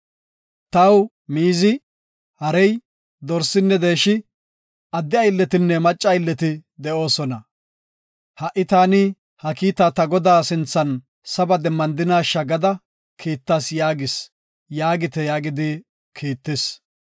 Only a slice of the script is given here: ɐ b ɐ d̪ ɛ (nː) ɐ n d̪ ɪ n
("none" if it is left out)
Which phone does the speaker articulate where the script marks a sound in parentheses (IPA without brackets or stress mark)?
mː